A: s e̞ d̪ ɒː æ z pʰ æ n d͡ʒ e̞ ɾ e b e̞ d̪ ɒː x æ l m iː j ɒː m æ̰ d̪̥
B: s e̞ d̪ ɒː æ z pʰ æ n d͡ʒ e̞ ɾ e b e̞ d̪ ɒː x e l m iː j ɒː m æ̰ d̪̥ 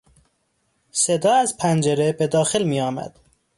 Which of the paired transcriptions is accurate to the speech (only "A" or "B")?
B